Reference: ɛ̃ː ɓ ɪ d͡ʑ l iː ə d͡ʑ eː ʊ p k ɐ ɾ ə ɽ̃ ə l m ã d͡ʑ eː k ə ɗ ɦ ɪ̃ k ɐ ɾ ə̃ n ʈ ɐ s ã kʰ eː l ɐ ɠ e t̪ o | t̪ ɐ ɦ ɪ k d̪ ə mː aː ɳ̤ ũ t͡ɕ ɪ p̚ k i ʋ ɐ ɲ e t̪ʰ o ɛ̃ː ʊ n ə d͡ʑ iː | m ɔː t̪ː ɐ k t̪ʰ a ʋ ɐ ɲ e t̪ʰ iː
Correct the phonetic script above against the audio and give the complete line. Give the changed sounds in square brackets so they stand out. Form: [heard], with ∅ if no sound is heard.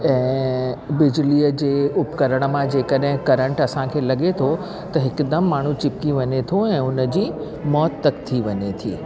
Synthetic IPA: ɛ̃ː [b] ɪ d͡ʑ l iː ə d͡ʑ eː ʊ p k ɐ ɾ ə ɽ̃ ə [∅] m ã d͡ʑ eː k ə ɗ ɦ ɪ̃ k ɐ ɾ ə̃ [ɳ] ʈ ɐ s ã kʰ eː l ɐ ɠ e [t̪ʰ] o | t̪ ɐ ɦ ɪ k d̪ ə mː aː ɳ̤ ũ t͡ɕ ɪ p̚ k i ʋ ɐ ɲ e t̪ʰ o ɛ̃ː ʊ n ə d͡ʑ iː | m ɔː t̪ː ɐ k t̪ʰ [i] ʋ ɐ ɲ e t̪ʰ iː

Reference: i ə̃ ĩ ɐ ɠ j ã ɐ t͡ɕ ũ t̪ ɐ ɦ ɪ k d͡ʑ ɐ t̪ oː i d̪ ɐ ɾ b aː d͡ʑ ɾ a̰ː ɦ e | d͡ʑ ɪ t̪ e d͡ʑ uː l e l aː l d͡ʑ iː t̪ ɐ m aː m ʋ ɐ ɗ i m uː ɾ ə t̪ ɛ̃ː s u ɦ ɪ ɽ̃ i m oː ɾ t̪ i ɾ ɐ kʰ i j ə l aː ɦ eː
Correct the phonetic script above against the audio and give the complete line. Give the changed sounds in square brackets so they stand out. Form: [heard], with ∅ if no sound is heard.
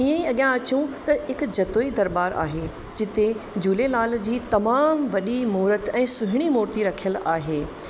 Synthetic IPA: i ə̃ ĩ ɐ ɠ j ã ɐ t͡ɕ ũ t̪ ɐ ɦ ɪ k d͡ʑ ɐ t̪ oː i d̪ ɐ ɾ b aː [∅] ɾ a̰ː ɦ e | d͡ʑ ɪ t̪ e d͡ʑ uː l e l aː l d͡ʑ iː t̪ ɐ m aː m ʋ ɐ ɗ i m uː ɾ ə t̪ ɛ̃ː s [ʊ] ɦ ɪ ɽ̃ i m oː ɾ t̪ i ɾ ɐ kʰ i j ə l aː ɦ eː

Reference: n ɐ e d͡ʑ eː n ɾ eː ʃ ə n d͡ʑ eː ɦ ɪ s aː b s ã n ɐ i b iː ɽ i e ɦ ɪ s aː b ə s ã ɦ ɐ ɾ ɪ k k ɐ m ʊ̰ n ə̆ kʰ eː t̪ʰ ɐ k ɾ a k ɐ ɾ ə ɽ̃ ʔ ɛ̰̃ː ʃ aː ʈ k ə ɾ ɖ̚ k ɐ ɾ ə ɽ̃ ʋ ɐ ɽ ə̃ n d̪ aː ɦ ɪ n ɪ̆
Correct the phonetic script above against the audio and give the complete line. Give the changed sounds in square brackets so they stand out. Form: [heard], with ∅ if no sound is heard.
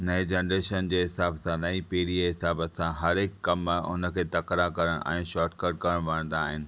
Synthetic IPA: n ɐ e d͡ʑ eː n ɾ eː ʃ ə n d͡ʑ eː ɦ ɪ s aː b s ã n ɐ i [p] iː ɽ i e ɦ ɪ s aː b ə s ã ɦ ɐ ɾ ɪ k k ɐ m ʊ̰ n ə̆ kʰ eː [t̪] ɐ k ɾ a k ɐ ɾ ə ɽ̃ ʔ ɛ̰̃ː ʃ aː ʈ k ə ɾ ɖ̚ k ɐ ɾ ə ɽ̃ ʋ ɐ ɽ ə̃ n d̪ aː ɦ ɪ n ɪ̆

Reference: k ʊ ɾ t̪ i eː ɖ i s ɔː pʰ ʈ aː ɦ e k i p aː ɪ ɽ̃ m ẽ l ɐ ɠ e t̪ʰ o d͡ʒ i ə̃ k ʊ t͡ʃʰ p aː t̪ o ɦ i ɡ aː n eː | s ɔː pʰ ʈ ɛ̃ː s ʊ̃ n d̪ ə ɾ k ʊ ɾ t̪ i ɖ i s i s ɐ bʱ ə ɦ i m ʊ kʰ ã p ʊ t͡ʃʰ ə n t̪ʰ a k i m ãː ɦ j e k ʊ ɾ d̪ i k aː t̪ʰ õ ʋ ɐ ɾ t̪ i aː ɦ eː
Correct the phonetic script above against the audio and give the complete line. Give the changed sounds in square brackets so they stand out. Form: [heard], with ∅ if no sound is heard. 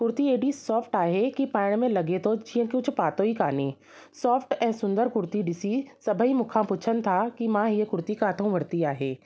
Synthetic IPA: k ʊ ɾ t̪ i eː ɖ i s ɔː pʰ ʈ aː ɦ e k i p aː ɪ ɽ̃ m ẽ l ɐ [ɡ] e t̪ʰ o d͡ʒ i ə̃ k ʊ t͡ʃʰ p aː t̪ o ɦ i [k] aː n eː | s ɔː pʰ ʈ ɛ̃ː s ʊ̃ n d̪ ə ɾ k ʊ ɾ t̪ i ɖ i s i s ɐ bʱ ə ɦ i m ʊ kʰ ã p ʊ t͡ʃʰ ə n t̪ʰ a k i m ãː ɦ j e k ʊ ɾ [t̪] i k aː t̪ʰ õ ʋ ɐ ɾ t̪ i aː ɦ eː

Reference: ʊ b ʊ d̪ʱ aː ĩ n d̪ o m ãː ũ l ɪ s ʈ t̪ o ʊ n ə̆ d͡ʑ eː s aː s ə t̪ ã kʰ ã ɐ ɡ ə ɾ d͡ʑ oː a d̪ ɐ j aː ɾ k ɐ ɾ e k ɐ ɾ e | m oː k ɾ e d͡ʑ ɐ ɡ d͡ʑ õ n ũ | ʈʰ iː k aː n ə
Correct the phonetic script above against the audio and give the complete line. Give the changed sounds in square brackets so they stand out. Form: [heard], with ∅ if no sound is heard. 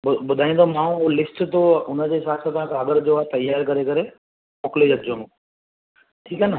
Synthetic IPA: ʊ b ʊ d̪ʱ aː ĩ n d̪ o m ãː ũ l ɪ s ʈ t̪ o ʊ n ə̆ d͡ʑ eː s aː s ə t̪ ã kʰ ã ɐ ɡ ə ɾ d͡ʑ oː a [t̪] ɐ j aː ɾ k ɐ ɾ e k ɐ ɾ e | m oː k [l] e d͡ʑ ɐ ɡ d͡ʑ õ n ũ | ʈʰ iː k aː n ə

